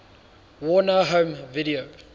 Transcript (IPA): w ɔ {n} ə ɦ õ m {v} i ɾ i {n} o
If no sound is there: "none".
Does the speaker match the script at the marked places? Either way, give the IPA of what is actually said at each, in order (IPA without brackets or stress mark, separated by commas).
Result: n, v, none